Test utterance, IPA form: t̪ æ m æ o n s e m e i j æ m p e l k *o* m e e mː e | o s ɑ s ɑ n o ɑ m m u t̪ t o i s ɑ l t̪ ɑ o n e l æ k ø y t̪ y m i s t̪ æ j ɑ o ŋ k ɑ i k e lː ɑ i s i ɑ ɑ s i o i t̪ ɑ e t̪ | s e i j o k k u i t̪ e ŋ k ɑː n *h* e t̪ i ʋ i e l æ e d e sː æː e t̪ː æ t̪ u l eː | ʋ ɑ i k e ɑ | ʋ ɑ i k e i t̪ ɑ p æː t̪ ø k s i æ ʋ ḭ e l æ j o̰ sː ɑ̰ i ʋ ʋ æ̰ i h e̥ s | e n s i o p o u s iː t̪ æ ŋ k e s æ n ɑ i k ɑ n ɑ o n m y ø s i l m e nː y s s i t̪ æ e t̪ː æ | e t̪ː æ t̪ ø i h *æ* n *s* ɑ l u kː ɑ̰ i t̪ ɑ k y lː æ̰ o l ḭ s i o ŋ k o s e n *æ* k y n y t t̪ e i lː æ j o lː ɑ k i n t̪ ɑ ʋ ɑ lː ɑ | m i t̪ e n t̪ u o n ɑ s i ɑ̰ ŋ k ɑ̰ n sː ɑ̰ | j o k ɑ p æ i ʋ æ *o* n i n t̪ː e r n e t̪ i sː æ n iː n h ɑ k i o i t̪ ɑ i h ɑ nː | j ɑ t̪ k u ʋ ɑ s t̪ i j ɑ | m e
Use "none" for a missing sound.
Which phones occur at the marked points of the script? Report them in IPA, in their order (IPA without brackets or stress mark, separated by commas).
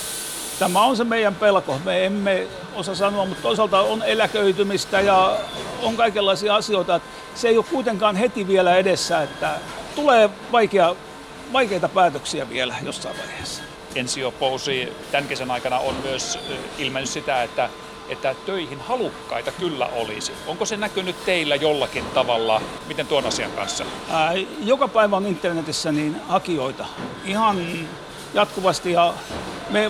o, h, i, h, æ, o